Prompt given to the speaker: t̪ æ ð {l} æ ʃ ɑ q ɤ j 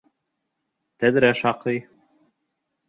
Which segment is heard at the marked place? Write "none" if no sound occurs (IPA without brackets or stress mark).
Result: ɾ